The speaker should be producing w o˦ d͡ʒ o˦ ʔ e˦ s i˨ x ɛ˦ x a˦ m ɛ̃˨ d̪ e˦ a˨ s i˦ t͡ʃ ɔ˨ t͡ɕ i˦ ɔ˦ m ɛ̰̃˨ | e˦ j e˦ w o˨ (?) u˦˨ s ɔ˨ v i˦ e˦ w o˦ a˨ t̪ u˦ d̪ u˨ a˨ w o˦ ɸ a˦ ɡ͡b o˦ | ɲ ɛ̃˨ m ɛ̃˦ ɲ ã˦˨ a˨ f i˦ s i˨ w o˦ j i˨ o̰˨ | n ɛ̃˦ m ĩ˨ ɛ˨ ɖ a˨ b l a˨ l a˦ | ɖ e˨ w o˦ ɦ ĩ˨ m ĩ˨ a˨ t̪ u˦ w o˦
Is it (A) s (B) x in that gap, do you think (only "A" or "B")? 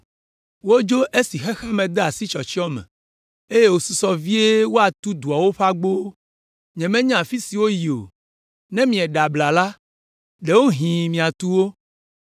A